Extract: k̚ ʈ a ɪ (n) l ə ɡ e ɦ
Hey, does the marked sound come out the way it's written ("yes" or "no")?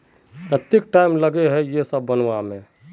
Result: no